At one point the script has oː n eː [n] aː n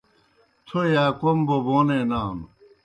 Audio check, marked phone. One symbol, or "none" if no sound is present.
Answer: n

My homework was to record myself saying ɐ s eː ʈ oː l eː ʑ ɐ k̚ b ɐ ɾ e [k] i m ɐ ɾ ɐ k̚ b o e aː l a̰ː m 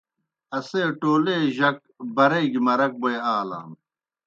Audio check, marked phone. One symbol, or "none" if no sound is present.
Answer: ɡ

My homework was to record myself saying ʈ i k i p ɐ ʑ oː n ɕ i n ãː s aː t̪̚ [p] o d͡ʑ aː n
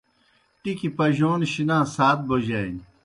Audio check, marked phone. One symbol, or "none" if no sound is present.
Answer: b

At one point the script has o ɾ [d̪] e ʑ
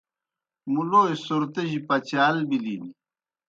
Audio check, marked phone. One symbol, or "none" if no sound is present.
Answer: t̪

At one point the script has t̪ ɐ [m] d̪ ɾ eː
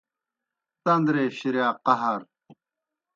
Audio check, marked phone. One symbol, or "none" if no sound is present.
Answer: n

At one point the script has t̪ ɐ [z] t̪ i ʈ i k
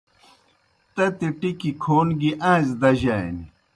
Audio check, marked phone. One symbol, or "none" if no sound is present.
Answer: none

